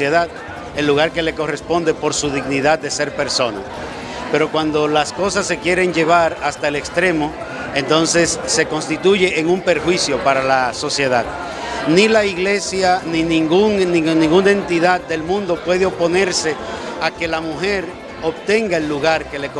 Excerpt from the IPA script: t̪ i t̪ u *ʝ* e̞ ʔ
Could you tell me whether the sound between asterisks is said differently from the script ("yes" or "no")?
no